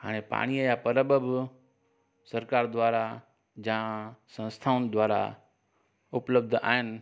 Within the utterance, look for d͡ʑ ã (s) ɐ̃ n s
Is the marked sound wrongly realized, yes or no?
no